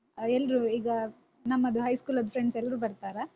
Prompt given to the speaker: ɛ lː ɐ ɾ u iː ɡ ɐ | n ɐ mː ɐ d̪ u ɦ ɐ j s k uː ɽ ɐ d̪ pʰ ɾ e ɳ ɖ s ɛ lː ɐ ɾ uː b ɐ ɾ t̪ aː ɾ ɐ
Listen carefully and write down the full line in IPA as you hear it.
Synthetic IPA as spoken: ɛ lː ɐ ɾ u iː ɡ ɐ | n ɐ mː ɐ d̪ u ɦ ɐ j s k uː l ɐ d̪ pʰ ɾ e ɳ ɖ s ɛ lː ɐ ɾ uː b ɐ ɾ t̪ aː ɾ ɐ